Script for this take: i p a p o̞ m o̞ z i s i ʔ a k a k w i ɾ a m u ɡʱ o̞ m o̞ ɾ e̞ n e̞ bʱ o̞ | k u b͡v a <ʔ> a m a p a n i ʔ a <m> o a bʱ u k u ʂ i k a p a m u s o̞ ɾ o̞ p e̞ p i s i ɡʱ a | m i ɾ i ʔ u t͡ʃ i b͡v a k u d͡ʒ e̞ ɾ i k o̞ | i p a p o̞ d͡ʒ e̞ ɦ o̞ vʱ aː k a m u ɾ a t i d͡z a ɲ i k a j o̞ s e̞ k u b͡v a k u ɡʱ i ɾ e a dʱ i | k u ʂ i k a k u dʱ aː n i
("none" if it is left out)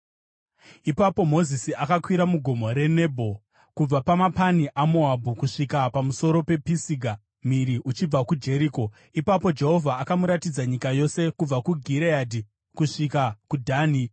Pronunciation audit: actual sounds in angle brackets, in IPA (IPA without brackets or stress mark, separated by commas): p, m